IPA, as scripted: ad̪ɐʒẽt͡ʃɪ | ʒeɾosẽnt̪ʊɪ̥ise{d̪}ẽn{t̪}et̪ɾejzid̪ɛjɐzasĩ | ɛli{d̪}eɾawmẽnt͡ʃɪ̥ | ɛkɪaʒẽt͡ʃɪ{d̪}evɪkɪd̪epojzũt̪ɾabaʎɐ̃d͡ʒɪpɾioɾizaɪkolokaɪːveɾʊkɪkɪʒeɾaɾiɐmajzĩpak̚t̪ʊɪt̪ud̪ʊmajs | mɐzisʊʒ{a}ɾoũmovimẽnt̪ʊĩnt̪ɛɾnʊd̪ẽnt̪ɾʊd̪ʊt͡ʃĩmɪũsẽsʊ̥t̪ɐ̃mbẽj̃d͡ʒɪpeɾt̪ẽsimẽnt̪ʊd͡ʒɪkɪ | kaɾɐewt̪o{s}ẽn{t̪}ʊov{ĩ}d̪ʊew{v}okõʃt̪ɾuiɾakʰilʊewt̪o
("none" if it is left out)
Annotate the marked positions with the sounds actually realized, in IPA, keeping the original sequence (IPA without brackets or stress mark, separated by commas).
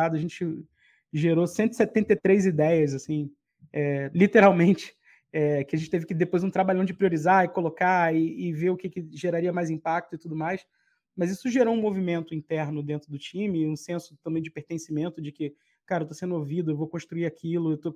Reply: t̪, t̪, t̪, t̪, e, s, d̪, i, v